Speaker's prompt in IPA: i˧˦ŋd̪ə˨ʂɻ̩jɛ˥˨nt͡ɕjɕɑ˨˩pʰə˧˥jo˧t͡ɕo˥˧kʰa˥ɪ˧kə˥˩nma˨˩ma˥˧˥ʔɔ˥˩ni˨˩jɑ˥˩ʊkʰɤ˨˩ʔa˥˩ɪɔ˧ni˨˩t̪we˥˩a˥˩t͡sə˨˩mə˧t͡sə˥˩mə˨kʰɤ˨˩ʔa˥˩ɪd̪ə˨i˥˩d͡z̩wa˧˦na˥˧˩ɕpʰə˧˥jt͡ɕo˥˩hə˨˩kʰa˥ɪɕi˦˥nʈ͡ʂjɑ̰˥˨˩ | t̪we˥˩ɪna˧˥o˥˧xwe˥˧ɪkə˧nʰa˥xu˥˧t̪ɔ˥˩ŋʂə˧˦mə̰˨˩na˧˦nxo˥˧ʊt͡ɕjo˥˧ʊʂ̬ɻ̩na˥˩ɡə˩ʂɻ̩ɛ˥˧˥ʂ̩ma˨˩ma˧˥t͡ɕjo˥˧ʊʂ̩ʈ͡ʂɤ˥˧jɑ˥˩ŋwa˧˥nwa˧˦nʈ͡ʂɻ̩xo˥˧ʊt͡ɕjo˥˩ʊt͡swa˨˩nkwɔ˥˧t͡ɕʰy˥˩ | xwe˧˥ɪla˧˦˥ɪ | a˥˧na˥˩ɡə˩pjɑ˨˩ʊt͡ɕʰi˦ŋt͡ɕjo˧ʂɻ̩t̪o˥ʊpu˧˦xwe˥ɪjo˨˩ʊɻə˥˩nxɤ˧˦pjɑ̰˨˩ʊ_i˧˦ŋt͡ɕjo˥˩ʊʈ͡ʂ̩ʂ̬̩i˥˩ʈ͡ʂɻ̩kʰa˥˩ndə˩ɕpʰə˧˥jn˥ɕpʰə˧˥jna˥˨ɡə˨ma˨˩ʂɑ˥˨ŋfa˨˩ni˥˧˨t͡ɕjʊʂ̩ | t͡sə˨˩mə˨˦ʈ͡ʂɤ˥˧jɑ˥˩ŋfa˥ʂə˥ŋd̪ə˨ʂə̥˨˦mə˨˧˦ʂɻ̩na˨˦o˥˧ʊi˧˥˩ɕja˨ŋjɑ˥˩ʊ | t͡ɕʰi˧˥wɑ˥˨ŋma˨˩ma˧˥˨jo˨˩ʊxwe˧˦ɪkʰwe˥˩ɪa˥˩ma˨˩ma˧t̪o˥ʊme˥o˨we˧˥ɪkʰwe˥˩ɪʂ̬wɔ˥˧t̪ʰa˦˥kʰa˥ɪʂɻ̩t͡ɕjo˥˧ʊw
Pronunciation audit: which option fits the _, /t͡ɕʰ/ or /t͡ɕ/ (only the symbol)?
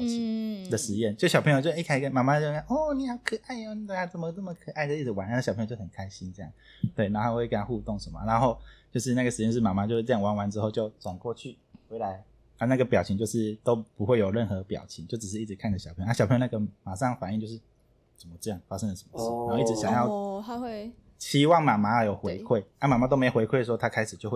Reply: t͡ɕʰ